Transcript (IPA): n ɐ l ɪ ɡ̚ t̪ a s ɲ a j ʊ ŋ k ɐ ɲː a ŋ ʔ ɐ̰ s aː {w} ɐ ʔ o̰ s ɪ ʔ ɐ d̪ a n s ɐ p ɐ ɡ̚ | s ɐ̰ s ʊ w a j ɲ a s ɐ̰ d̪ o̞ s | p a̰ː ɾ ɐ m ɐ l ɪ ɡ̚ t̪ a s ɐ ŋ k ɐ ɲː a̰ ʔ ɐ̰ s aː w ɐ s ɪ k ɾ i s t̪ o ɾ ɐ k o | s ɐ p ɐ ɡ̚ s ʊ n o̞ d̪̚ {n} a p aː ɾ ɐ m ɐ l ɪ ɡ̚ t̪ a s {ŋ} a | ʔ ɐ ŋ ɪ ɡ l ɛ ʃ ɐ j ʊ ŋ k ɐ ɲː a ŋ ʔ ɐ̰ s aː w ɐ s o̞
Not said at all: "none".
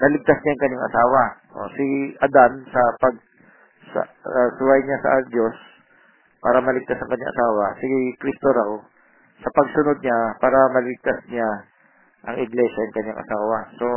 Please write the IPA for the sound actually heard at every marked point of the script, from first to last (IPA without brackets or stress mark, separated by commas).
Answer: w, ɲ, ɲ